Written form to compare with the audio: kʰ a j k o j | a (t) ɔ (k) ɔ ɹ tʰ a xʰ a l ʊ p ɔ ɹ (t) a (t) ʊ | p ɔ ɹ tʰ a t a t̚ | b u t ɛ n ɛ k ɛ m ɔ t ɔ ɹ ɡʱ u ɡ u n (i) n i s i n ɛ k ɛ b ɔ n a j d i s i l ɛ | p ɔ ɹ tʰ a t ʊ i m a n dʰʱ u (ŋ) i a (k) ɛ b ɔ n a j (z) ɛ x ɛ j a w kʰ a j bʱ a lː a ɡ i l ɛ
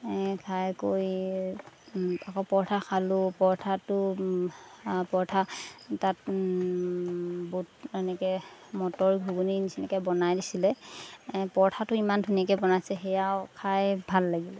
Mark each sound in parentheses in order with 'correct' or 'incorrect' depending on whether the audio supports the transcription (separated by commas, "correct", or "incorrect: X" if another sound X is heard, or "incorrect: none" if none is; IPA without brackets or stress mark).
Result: incorrect: k, incorrect: p, incorrect: tʰ, correct, correct, incorrect: n, correct, incorrect: s